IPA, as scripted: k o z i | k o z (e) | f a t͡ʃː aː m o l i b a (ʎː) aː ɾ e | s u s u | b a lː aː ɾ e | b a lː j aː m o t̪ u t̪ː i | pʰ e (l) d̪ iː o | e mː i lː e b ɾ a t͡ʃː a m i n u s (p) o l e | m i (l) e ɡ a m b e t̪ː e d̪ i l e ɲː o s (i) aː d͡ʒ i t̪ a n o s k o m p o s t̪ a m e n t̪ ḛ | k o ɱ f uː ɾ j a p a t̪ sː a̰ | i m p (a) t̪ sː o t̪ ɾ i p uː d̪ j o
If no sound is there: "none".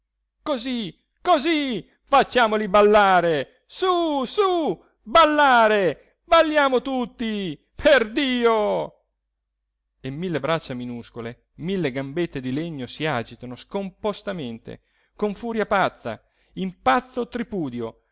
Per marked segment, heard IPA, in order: i, lː, r, k, lː, i, a

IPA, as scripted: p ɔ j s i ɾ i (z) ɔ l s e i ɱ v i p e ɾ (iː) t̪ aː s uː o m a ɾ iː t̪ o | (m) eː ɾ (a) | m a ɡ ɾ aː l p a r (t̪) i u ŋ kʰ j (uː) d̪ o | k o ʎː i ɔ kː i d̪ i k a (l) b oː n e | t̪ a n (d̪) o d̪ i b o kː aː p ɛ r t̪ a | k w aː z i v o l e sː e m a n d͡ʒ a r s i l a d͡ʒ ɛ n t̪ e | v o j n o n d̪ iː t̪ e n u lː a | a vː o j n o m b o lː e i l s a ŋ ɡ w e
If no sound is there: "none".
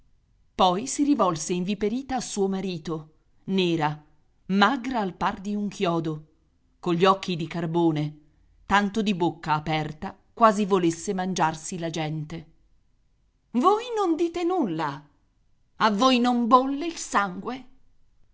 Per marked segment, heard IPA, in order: v, iː, n, a, d̪, ɔː, r, t̪

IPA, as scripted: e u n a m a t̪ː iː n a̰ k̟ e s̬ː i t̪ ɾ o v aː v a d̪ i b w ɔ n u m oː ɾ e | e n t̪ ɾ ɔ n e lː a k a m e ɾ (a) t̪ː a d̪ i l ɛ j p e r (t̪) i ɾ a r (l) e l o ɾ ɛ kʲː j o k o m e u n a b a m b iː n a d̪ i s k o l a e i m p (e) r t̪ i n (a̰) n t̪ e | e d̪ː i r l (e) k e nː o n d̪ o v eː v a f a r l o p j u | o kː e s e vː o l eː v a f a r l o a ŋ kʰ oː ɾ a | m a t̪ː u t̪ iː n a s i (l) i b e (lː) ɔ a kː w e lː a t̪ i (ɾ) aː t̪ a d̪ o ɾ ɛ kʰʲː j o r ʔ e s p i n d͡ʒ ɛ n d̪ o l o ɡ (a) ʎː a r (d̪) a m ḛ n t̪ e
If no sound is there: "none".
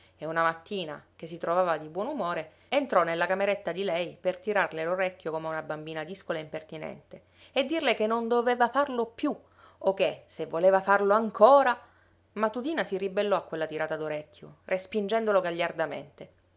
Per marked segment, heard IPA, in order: e, t̪, l, e, ɛ̰, e, r, lː, ɾ, a, d̪

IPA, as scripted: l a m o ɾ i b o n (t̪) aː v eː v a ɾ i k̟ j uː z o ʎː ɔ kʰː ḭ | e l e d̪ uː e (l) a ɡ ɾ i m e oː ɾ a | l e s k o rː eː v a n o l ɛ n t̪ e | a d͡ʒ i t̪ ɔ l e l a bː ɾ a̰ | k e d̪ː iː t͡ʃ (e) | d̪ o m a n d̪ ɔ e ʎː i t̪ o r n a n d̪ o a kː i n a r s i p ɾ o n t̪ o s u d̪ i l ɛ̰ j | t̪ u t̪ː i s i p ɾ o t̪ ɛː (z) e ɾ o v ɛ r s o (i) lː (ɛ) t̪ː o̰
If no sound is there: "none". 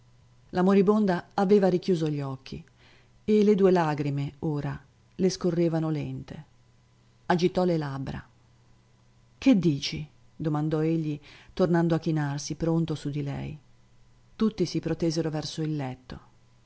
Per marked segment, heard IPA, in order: d̪, l, i, z, i, ɛ

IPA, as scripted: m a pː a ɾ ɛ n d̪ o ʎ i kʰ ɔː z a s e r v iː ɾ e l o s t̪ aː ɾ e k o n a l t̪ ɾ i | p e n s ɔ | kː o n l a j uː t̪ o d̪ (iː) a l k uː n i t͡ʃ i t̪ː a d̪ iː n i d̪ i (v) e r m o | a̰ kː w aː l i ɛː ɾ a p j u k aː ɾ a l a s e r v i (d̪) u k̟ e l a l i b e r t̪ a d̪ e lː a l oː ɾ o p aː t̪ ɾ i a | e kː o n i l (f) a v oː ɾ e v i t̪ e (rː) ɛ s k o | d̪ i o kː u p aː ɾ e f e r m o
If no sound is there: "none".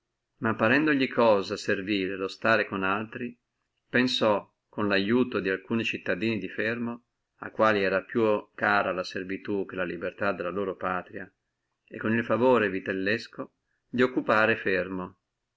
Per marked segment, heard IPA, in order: i, f, t̪, f, lː

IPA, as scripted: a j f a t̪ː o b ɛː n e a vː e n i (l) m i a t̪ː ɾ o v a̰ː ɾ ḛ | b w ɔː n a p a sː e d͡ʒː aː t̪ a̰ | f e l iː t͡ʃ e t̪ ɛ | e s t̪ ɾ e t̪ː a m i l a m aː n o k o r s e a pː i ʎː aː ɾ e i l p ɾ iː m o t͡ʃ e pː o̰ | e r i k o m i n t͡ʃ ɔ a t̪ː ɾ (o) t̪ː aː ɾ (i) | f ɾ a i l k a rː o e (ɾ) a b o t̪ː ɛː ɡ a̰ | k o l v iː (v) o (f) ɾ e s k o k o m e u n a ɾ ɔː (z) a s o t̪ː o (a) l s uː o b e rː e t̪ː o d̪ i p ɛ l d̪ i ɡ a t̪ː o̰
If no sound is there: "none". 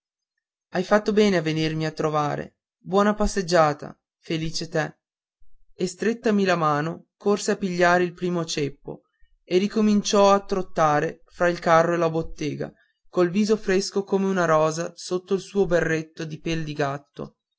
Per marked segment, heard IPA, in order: r, o, e, l, z, f, z, i

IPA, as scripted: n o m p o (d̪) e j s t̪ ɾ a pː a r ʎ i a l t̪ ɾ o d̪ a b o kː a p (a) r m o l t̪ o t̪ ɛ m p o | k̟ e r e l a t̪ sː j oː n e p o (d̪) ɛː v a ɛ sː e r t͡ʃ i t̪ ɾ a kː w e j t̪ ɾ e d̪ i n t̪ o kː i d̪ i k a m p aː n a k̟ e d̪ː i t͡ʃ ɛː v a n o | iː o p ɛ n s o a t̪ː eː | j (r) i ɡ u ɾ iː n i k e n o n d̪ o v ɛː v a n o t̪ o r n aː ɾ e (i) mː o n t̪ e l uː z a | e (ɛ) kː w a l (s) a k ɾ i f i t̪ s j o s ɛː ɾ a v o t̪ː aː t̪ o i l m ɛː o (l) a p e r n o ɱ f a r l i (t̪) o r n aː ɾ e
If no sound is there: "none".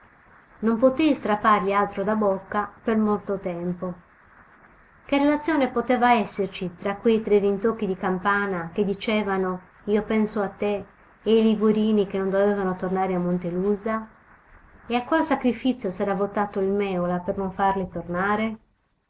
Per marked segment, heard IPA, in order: t̪, e, t̪, l, a, a, s, l, t̪

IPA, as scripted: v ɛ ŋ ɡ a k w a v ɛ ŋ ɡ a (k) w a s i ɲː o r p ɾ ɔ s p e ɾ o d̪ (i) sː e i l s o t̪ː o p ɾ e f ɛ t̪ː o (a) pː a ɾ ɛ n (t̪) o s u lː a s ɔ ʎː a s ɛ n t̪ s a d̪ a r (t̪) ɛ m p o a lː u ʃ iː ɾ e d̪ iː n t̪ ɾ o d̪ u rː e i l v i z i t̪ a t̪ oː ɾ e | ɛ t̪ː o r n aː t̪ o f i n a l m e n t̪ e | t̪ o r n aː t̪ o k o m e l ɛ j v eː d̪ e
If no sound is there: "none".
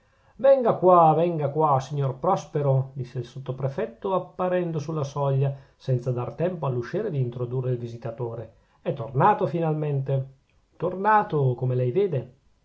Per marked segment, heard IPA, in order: k, i, a, d̪, t̪

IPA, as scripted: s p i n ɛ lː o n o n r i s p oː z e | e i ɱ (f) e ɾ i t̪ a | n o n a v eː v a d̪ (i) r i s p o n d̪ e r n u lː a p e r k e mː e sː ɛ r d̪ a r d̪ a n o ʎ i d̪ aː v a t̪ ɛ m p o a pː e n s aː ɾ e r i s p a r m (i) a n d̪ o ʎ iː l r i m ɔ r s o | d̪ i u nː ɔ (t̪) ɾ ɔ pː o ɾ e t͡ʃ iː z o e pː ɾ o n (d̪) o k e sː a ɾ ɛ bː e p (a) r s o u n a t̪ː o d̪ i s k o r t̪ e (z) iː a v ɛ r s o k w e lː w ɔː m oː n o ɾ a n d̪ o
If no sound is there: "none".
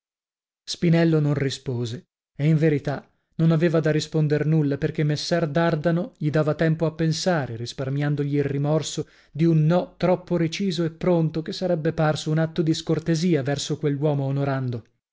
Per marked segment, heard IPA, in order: v, a, j, t̪, t̪, a, z

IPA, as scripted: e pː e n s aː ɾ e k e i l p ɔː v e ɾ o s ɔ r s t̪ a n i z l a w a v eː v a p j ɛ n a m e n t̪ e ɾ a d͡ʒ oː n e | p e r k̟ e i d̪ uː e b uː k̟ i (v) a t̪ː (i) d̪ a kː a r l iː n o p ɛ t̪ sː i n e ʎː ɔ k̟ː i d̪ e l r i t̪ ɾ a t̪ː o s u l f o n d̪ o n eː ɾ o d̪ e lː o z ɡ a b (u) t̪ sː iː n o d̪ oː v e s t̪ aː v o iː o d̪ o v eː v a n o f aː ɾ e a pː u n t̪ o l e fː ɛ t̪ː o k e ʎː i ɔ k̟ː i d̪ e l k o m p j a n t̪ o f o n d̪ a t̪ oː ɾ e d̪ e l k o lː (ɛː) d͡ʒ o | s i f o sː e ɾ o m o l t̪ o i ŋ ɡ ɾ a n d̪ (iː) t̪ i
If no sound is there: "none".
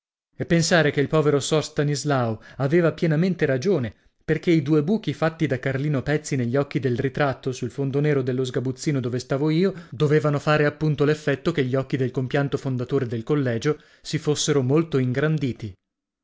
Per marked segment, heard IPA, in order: f, i, u, ɛː, iː

